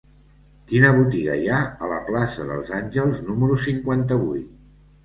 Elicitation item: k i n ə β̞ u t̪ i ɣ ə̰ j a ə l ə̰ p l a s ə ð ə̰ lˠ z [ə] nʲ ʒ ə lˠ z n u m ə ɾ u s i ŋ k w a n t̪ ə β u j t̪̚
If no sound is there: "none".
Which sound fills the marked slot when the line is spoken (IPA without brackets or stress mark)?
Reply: a